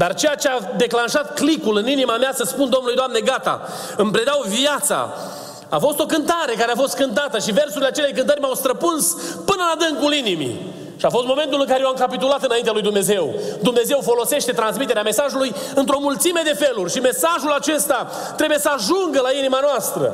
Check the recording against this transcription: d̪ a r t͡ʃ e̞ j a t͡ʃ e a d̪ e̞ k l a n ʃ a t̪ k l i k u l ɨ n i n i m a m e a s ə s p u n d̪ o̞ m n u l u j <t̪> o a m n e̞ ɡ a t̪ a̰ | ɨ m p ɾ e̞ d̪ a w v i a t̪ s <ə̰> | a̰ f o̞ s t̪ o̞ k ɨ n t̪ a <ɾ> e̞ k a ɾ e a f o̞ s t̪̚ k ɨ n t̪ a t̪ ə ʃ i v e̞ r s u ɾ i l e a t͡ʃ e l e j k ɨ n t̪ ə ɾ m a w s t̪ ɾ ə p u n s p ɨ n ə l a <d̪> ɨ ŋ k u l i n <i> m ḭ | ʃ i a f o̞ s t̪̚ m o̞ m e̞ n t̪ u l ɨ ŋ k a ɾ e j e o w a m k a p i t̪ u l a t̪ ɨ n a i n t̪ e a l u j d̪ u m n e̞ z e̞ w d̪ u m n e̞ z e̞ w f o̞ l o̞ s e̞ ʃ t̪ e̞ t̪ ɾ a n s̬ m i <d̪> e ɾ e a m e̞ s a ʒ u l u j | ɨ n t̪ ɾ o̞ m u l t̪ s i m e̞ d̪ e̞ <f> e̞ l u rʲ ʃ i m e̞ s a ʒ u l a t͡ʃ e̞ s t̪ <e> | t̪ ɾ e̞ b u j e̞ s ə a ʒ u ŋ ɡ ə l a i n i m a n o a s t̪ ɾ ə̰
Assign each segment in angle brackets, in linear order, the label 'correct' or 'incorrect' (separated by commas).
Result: incorrect, incorrect, correct, correct, correct, incorrect, correct, incorrect